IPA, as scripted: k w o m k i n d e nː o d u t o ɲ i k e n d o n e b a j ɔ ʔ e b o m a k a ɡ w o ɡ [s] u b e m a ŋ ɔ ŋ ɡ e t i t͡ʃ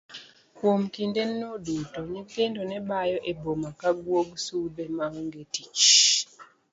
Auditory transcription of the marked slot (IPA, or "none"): s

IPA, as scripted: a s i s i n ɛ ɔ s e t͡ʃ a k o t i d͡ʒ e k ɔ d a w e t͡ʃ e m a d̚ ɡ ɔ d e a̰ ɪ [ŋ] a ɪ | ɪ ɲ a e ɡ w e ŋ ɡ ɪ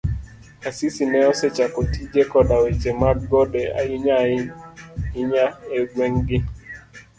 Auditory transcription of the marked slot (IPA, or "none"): ɲ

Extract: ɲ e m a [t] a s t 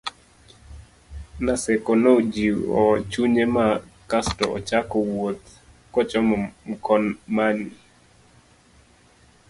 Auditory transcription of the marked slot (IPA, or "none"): k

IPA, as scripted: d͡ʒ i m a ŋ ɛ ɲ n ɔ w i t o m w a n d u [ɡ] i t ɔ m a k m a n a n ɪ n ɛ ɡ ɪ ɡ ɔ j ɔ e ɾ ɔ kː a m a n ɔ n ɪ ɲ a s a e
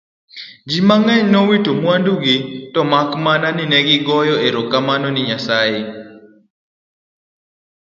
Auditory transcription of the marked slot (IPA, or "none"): ɡ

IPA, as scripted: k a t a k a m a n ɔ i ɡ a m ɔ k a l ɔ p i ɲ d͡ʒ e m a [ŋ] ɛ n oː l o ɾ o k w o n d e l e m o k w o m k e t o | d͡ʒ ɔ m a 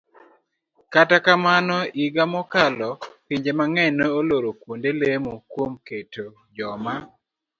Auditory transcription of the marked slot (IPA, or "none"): ŋ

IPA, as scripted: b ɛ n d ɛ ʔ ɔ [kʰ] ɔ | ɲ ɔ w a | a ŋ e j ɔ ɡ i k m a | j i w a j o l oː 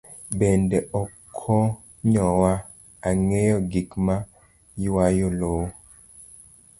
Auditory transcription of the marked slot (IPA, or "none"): kʰ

